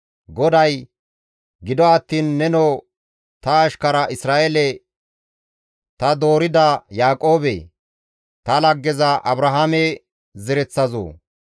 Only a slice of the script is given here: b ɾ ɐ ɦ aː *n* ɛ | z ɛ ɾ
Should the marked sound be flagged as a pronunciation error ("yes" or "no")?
yes